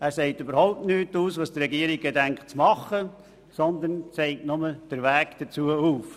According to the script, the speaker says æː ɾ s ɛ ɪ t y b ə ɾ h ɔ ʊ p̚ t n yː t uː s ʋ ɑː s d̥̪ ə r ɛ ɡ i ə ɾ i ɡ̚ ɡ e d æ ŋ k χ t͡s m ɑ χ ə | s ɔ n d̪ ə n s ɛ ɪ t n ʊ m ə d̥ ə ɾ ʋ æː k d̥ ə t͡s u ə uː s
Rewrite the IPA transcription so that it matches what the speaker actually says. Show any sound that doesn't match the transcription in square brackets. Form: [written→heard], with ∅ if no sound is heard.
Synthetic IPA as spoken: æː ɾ s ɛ ɪ t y b ə ɾ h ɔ ʊ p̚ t n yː t uː s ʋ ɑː s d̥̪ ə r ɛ ɡ i ə ɾ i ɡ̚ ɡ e d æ ŋ k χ t͡s m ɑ χ ə | s ɔ n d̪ ə n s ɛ ɪ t n ʊ m ə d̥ ə ɾ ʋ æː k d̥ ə t͡s u ə uː [s→f]

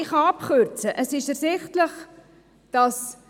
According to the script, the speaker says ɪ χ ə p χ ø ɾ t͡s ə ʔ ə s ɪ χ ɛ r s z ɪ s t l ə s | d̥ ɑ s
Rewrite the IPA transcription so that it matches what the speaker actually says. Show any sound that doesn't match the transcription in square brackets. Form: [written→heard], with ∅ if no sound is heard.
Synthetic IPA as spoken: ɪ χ [ə→ɑ] p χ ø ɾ t͡s ə ʔ ə s ɪ [χ→ʃ] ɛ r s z ɪ [s→χ] t l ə [s→χ] | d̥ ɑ s

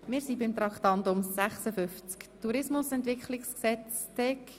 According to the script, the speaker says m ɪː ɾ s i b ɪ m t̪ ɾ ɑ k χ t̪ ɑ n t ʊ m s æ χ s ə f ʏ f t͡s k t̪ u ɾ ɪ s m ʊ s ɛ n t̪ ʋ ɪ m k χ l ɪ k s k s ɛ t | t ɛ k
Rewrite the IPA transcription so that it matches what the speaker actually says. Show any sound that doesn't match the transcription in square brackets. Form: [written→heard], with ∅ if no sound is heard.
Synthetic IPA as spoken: m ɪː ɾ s i b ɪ m t̪ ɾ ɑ k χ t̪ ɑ n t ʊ m s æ χ s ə f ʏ f t͡s k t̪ u ɾ ɪ s m ʊ s ɛ n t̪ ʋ ɪ [m→∅] k χ l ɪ k s k s ɛ [t→t͡s] | t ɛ k

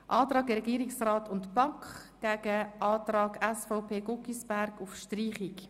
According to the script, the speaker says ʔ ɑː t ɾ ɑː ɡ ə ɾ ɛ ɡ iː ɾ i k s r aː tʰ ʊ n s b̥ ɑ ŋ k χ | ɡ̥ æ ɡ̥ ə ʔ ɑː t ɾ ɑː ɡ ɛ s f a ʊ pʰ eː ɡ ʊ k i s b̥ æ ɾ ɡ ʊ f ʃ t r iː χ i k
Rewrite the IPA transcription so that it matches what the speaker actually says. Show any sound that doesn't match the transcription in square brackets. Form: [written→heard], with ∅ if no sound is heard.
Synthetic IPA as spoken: ʔ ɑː t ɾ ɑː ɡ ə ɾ ɛ ɡ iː ɾ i k s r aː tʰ ʊ n [s→t] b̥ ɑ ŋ k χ | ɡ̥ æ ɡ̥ ə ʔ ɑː t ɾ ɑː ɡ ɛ s f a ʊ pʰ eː ɡ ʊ k i s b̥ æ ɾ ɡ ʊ f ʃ t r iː χ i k

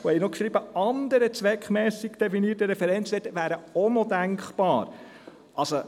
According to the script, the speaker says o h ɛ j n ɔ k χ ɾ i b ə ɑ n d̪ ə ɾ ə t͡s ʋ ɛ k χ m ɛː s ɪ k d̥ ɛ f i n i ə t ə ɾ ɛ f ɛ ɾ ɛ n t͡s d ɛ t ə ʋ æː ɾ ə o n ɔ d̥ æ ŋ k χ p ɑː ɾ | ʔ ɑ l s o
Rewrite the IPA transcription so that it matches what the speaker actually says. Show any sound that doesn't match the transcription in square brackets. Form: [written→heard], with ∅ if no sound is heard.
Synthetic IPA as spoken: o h ɛ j n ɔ k [χ→ʃ] ɾ i b ə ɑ n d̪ ə ɾ ə t͡s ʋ ɛ k χ m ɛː s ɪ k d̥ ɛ f i n i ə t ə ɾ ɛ f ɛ ɾ ɛ n t͡s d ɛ t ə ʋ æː ɾ ə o n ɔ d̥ æ ŋ k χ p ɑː ɾ | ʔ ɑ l s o

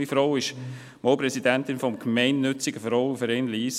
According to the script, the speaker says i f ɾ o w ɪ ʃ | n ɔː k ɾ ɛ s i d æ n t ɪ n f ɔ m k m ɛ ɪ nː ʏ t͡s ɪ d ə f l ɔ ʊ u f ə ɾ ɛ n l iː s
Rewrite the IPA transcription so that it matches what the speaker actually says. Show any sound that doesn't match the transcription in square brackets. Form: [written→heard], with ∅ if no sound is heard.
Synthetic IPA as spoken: i f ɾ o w ɪ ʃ | [n→m] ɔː [k→p] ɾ ɛ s i d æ n t ɪ n f ɔ m k m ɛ ɪ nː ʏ t͡s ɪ [d→ɡ] ə f [l→ɾ] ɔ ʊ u f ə ɾ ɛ n l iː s

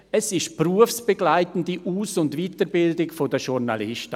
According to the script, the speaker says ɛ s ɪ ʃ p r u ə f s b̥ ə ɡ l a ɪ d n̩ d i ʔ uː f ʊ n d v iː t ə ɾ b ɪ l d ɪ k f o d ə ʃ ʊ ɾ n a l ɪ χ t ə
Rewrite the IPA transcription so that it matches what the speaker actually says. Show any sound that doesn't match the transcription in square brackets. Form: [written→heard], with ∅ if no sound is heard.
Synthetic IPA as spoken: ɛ s ɪ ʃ p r u ə f s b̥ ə ɡ l a ɪ [d→t] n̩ d i ʔ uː [f→s] ʊ n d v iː t ə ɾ b ɪ l d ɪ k f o d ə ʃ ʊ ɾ n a l ɪ [χ→ʃ] t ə

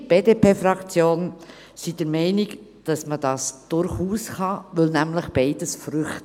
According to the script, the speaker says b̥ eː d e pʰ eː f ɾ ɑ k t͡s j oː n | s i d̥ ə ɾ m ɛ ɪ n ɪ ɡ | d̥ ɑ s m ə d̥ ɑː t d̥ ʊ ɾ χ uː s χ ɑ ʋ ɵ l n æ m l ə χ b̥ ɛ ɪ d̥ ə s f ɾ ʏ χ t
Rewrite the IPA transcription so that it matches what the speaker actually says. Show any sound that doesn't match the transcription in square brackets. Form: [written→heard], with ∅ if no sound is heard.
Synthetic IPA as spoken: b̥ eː d e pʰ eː f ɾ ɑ k t͡s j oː n | s i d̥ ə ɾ m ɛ ɪ n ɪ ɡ | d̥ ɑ s m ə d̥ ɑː [t→s] d̥ ʊ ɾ χ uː s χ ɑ ʋ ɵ l n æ m l ə χ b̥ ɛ ɪ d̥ ə s f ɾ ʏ χ t

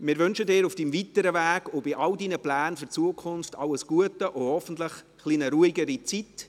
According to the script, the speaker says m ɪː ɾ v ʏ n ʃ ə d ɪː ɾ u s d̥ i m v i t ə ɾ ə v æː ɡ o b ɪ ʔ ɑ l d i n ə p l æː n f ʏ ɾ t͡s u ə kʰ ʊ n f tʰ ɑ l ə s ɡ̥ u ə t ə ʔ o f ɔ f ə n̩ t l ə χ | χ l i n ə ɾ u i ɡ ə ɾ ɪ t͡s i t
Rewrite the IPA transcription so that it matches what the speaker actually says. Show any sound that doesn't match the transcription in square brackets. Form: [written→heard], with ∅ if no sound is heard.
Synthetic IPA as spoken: m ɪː ɾ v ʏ n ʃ ə d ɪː ɾ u [s→f] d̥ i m v i t ə ɾ ə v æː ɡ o b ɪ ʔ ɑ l d i n ə p l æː n f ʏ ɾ t͡s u ə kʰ ʊ n f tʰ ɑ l ə s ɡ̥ u ə t ə ʔ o [f→h] ɔ f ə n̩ t l ə χ | χ l i n ə ɾ u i ɡ ə ɾ [ɪ→i] t͡s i t

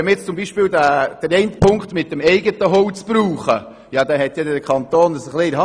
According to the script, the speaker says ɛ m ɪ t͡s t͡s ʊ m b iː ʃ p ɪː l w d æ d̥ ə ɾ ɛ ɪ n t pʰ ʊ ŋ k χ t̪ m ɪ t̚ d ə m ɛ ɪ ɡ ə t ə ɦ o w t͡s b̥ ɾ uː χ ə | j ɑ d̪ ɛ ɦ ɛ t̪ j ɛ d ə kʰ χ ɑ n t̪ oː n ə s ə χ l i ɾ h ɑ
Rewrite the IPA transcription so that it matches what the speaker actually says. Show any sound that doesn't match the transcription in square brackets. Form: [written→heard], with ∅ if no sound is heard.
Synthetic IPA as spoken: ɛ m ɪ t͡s t͡s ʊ m b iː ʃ p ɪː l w d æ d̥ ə ɾ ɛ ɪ n t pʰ ʊ ŋ k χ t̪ m ɪ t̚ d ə m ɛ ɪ ɡ ə t ə ɦ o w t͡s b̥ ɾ uː χ ə | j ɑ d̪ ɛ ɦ ɛ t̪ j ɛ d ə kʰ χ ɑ n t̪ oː n ə s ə χ l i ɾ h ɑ

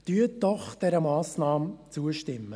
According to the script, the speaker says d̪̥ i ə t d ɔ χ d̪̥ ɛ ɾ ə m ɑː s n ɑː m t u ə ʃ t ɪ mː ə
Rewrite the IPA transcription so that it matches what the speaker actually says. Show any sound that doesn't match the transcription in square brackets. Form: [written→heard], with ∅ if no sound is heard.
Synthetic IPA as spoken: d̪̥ [i→y] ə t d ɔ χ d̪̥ ɛ ɾ ə m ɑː s n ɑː m [t→t͡s] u ə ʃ t ɪ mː ə

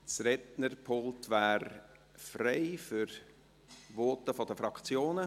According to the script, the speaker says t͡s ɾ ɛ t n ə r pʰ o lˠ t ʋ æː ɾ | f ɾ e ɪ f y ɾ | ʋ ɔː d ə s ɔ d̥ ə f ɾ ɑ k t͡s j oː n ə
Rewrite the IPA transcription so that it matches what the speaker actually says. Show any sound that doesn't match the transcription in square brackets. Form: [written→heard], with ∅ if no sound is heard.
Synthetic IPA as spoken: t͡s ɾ ɛ t n ə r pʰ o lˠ t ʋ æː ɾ | f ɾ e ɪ f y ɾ | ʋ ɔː [d→t] ə [s→f] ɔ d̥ ə f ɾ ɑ k t͡s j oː n ə

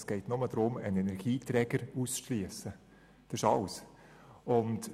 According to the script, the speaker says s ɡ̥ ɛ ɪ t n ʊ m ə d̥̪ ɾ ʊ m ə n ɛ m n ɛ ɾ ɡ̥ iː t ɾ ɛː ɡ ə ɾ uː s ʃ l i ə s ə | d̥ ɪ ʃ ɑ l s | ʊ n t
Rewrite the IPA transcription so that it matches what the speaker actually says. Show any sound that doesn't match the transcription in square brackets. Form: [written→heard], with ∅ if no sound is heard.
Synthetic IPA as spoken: s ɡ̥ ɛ ɪ t n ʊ m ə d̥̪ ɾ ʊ m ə n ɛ [m→∅] n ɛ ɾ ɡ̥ iː t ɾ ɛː ɡ ə ɾ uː s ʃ l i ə s ə | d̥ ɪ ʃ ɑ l s | ʊ n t

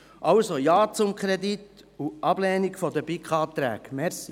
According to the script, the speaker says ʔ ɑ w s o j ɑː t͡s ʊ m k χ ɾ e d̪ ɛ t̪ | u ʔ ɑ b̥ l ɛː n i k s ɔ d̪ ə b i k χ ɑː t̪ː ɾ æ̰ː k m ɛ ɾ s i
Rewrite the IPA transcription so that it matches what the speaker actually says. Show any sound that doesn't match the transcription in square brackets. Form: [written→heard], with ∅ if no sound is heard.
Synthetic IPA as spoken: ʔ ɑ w s o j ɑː t͡s ʊ m k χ ɾ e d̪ [ɛ→i] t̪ | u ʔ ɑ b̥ l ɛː n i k [s→f] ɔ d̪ ə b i k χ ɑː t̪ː ɾ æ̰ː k m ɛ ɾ s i

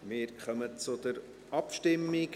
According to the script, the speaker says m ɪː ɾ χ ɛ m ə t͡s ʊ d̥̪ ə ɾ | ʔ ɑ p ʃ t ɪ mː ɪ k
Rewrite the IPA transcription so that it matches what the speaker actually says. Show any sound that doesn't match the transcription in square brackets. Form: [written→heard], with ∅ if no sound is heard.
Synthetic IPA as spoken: m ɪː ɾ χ [ɛ→œ] m ə t͡s ʊ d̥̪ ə ɾ | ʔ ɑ p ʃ t ɪ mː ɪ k

